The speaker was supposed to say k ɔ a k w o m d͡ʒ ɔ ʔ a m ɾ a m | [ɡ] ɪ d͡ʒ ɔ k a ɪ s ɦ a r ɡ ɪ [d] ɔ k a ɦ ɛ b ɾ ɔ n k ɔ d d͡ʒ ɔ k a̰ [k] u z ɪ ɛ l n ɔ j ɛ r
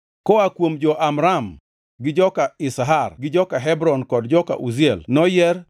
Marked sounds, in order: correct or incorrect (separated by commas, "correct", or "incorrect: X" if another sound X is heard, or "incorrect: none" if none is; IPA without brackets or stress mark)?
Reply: correct, incorrect: d͡ʒ, incorrect: ʔ